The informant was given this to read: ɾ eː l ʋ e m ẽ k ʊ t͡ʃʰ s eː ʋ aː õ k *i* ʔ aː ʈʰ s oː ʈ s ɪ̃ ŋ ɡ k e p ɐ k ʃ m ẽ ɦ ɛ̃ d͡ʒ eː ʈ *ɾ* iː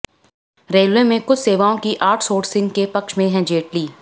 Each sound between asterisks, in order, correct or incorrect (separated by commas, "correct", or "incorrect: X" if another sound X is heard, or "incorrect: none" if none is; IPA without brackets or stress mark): correct, incorrect: l